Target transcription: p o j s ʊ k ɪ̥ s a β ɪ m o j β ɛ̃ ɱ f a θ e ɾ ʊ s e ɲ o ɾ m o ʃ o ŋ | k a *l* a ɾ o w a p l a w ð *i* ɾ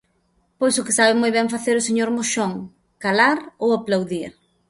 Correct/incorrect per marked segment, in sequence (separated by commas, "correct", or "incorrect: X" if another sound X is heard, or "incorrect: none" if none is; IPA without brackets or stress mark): correct, correct